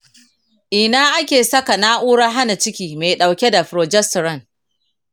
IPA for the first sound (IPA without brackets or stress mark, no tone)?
ʔ